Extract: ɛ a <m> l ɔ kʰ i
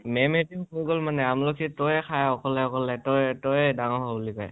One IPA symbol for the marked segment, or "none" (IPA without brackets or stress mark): m